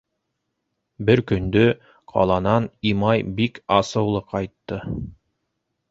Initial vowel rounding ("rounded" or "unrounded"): unrounded